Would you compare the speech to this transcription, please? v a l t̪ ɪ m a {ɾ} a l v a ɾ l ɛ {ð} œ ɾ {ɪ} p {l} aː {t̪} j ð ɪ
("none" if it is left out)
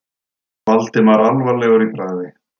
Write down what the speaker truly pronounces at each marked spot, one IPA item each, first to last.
ɾ, ɣ, i, ɾ, none

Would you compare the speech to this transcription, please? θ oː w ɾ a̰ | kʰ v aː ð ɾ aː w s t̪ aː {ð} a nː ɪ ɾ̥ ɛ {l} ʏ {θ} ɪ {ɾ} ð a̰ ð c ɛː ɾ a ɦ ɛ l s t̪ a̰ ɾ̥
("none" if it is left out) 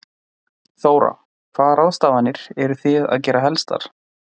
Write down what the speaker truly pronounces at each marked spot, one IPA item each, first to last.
v, ɾ, θ, none

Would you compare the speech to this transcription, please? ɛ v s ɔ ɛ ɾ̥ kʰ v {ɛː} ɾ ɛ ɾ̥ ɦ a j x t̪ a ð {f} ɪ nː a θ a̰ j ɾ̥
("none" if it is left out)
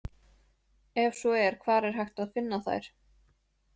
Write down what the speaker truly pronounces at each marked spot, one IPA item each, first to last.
aː, f

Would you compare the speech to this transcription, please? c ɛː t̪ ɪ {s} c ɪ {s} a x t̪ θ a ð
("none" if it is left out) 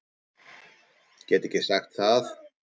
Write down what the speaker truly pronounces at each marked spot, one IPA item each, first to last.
none, s

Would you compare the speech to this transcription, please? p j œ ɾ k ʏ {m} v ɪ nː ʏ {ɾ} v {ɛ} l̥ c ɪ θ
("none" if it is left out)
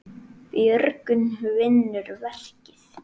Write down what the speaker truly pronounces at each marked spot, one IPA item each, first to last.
n, ɾ, ɛ

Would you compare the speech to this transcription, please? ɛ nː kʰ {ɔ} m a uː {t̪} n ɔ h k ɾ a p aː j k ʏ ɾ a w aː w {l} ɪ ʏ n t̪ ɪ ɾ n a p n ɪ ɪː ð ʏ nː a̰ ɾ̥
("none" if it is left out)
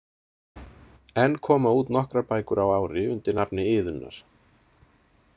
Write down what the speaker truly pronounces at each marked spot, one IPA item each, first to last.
ɔː, t̪, ɾ

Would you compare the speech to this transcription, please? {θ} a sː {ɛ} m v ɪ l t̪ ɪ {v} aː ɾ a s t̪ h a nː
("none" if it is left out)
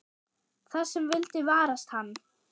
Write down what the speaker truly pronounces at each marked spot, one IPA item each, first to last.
θ, ɛ, v

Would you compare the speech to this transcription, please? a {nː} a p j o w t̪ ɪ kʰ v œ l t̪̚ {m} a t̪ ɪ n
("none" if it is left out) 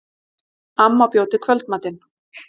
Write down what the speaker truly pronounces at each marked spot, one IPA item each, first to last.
mː, m

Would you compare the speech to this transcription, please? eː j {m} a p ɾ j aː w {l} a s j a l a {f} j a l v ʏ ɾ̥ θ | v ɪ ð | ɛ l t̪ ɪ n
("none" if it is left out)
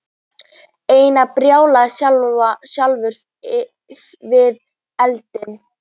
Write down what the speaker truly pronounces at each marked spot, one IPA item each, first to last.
n, l, s

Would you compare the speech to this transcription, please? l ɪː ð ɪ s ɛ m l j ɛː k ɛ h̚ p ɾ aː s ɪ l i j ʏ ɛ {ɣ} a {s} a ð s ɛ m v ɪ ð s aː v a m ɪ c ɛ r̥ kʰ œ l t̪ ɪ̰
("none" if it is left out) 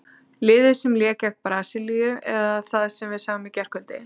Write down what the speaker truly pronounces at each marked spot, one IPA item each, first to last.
ð, θ

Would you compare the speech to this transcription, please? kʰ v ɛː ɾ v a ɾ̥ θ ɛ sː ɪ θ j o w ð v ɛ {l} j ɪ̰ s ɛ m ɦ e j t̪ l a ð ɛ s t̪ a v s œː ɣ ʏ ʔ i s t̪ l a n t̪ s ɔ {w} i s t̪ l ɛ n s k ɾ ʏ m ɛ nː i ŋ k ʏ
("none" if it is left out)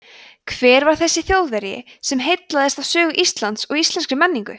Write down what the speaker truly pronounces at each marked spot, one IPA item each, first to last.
ɾ, ɣ

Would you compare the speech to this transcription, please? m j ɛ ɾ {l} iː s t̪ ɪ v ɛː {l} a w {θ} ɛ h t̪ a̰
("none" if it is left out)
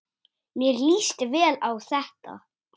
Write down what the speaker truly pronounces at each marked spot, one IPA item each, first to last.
l, l, θ

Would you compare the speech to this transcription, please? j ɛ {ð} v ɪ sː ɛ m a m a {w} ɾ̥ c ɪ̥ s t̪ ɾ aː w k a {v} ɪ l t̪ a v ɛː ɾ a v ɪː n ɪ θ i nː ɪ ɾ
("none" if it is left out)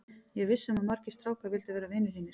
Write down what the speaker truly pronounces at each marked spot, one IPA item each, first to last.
ɣ, none, v

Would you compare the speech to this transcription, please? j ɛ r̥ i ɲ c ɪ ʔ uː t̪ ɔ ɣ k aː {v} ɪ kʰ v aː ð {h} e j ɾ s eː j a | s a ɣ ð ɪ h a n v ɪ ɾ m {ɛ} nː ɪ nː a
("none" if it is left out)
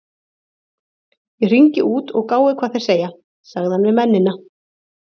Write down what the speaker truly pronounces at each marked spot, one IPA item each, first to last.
w, θ, ɛ

